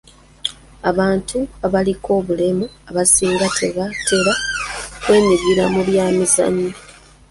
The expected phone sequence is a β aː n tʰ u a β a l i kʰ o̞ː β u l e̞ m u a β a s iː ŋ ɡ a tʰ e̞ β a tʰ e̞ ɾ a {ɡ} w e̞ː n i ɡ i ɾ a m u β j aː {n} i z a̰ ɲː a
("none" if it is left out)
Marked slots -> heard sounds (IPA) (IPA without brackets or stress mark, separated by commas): k, m